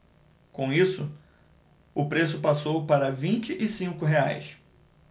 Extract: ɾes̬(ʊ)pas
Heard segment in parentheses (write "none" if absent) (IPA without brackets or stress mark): ʊ